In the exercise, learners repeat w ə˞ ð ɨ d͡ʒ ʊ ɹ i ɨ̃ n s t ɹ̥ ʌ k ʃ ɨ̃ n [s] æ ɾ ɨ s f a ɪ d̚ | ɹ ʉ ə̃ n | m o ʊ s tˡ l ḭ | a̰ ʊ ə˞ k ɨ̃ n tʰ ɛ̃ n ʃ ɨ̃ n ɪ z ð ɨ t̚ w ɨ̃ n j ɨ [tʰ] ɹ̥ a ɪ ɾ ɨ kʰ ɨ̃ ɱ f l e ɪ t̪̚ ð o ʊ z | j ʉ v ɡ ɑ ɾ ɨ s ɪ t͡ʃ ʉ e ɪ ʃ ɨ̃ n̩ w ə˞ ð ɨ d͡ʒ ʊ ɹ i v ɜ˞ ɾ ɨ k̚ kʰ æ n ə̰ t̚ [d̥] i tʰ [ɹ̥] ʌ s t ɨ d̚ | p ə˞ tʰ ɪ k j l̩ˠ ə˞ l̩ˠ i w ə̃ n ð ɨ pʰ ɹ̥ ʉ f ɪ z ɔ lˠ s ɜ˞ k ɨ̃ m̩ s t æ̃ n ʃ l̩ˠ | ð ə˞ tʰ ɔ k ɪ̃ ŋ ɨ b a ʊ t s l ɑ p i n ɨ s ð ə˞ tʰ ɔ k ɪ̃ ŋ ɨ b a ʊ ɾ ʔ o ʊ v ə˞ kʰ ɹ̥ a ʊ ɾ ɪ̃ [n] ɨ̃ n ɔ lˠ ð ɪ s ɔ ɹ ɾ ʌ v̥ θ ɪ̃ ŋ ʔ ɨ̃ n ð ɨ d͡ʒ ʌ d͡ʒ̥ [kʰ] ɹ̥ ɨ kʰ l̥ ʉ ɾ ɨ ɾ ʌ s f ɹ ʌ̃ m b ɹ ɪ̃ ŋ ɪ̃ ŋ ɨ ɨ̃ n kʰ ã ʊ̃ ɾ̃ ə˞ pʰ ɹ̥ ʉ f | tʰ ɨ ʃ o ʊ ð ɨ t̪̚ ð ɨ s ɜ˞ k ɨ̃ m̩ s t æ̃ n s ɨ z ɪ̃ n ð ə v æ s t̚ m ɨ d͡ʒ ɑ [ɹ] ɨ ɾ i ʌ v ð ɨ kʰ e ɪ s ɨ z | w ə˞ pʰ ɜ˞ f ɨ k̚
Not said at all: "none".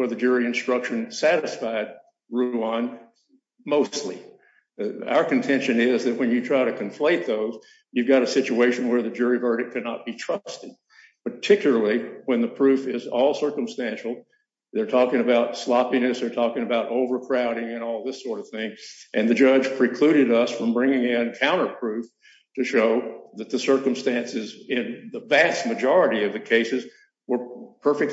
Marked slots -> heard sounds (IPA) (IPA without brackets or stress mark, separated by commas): s, tʰ, b̥, ɹ̥, ŋ, pʰ, ɹ